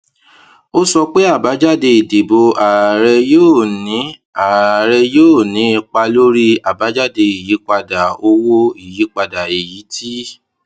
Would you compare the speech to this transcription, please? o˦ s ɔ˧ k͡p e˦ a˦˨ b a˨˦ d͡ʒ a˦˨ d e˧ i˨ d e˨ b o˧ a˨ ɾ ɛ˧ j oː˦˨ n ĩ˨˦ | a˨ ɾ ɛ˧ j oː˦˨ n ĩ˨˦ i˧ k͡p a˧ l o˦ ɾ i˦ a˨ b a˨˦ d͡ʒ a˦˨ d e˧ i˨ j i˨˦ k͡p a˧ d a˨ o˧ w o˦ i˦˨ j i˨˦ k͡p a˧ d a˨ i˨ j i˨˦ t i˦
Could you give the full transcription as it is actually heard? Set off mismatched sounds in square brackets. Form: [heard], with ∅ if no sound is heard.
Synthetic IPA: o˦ s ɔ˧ k͡p e˦ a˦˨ b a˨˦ d͡ʒ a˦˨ d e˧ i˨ d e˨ b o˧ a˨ ɾ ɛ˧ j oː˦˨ n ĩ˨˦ | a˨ ɾ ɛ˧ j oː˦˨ n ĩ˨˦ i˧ k͡p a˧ l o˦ ɾ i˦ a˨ b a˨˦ d͡ʒ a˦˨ d e˧ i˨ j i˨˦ k͡p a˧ d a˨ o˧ w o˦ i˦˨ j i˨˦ k͡p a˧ d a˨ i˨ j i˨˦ t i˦